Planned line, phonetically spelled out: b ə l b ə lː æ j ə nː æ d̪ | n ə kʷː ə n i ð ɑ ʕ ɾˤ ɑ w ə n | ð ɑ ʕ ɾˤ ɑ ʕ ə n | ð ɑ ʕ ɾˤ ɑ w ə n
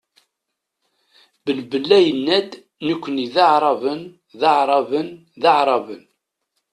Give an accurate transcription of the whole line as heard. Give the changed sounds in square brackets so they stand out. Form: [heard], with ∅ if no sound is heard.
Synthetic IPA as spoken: b ə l b ə lː æ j ə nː æ d̪ | n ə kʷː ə n i ð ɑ ʕ ɾˤ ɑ [v] ə n | ð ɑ ʕ ɾˤ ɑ [v] ə n | ð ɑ ʕ ɾˤ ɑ [v] ə n